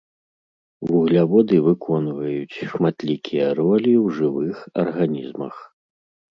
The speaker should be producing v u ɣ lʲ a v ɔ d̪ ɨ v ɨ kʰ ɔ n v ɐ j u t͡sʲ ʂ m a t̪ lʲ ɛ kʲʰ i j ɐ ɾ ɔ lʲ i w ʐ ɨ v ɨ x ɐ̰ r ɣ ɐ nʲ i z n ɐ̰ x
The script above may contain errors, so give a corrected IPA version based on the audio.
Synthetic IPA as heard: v u ɣ lʲ a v ɔ d̪ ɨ v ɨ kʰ ɔ n v ɐ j u t͡sʲ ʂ m a t̪ lʲ i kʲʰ i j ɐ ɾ ɔ lʲ i w ʐ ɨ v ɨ x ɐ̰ r ɣ a nʲ i z m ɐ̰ x